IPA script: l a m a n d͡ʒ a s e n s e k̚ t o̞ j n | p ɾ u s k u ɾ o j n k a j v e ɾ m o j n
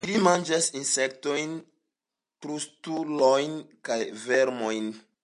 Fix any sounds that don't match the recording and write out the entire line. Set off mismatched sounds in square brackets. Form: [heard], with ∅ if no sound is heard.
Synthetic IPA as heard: l [i] m a n d͡ʒ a s [i] n s e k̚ t o̞ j n | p ɾ u s [t] u [l] o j n k a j v e ɾ m o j n